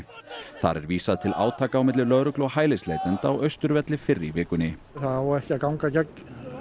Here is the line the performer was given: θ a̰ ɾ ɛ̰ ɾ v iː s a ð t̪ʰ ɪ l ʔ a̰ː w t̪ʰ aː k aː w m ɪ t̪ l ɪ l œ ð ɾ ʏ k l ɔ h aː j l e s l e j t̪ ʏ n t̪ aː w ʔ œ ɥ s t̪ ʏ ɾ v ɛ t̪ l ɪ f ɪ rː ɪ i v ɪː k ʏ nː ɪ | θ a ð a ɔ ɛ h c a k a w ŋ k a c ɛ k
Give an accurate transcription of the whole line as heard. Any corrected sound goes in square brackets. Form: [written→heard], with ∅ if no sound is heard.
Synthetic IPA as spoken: θ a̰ ɾ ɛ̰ ɾ v iː s a ð t̪ʰ ɪ l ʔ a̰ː w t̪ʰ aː k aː w m ɪ t̪ l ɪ l œ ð ɾ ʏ k l ɔ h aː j l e s l e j t̪ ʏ n t̪ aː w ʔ œ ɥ s t̪ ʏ ɾ v ɛ t̪ l ɪ f ɪ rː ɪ i v ɪː k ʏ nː ɪ | θ a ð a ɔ ɛ h c a k a w ŋ k a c ɛ k